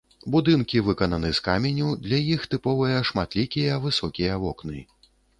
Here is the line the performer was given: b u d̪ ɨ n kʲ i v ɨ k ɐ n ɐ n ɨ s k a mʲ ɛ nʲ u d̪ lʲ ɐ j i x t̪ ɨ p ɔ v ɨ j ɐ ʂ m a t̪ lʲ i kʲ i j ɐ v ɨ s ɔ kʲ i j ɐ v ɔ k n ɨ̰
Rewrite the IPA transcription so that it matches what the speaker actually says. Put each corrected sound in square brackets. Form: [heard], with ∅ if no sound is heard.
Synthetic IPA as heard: b u d̪ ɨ n kʲ i v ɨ k ɐ n ɐ n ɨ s k a mʲ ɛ nʲ u d̪ lʲ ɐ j i x t̪ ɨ p ɔ v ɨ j ɐ ʂ m a t̪ lʲ i kʲ i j ɐ v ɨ s ɔ kʲ i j ɐ v ɔ k n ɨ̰